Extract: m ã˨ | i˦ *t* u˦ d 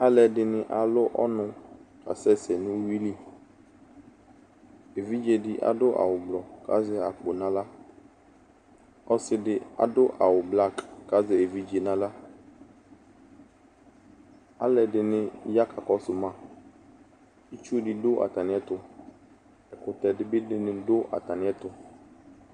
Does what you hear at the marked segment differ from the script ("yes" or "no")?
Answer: yes